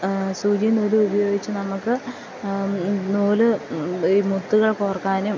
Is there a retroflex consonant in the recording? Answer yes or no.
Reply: yes